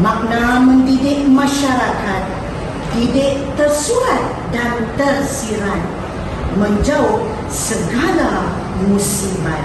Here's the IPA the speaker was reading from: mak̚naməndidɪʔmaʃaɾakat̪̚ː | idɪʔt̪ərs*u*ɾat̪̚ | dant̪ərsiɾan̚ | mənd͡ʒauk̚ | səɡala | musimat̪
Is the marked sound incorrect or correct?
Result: correct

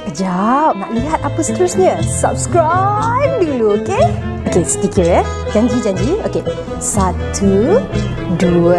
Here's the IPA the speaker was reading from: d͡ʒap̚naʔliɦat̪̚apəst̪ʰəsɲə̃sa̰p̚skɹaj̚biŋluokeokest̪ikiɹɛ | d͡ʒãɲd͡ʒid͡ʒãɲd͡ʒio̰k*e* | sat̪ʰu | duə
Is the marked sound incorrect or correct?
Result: correct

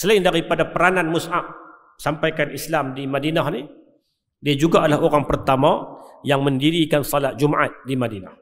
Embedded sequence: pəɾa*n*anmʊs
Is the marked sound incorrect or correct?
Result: correct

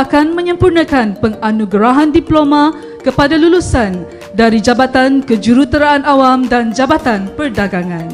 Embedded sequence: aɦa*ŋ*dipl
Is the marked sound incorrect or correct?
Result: incorrect: n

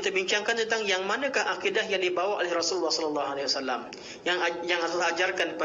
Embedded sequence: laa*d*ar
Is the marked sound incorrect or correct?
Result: incorrect: d͡ʒ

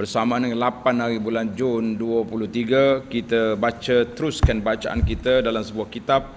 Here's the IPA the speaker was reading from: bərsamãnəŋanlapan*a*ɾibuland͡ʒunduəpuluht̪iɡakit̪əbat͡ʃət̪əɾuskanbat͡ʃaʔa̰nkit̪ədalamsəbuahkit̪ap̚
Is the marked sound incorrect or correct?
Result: correct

